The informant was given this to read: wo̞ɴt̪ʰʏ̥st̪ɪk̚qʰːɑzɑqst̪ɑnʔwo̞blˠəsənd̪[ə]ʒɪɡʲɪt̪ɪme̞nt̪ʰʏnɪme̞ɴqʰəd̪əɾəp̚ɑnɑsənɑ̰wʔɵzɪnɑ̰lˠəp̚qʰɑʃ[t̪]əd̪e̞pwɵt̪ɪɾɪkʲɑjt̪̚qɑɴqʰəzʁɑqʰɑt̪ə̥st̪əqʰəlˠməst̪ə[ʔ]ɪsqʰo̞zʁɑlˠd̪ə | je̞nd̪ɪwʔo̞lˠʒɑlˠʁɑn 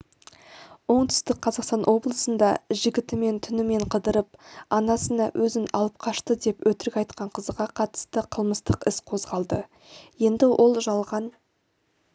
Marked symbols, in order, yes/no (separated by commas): no, yes, no